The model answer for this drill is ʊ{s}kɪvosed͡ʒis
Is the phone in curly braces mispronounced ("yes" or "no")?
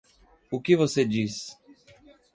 yes